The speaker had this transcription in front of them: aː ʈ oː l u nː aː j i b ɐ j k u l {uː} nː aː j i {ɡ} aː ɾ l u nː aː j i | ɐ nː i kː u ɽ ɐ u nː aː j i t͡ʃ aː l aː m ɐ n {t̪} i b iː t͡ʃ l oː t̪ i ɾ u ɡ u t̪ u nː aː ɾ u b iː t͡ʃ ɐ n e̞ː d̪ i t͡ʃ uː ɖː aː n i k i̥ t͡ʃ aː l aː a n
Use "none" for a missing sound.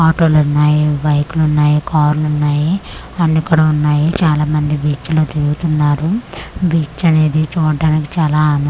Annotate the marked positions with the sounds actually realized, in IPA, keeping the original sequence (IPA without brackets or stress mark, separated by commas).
u, k, d̪